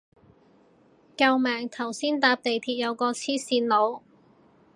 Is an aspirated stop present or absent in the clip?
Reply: present